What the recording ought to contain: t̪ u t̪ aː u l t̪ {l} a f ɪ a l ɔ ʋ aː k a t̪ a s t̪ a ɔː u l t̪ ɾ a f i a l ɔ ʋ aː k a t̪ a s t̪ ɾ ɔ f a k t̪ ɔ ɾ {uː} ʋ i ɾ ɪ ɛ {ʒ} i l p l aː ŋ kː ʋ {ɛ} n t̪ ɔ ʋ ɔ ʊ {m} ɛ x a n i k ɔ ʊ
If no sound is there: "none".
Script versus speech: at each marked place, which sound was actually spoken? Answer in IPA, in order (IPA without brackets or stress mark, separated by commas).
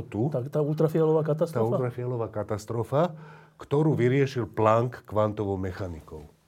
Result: ɾ, uː, ʃ, a, m